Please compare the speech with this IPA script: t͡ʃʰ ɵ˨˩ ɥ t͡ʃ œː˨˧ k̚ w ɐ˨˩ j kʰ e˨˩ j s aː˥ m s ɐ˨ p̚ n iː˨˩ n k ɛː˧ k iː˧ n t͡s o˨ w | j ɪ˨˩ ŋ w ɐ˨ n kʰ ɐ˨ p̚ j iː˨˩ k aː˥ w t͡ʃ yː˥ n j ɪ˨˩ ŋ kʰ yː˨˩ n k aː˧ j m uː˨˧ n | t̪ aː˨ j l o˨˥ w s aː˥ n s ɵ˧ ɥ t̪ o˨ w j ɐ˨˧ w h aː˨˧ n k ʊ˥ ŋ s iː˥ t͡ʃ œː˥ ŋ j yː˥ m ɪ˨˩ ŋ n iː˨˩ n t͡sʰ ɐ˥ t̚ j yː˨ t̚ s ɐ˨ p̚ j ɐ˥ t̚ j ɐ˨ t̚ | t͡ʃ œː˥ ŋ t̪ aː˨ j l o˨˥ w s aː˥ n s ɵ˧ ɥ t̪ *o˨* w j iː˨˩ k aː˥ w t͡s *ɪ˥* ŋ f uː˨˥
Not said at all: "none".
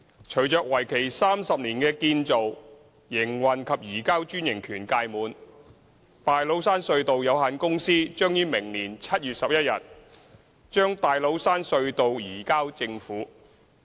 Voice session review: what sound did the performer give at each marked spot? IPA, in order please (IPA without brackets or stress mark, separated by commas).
o˨, ɪ˧